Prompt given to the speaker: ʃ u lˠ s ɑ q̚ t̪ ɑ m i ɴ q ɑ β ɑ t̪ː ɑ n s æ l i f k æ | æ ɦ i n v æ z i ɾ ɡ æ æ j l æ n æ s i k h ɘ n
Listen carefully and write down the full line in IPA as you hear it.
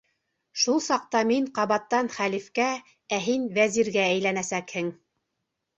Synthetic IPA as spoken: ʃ u lˠ s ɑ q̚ t̪ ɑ m i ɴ q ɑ β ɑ t̪ː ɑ n χ æ l i f k æ | æ ɦ i n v æ z i ɾ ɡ æ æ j l æ n æ s æ k h ɘ ŋ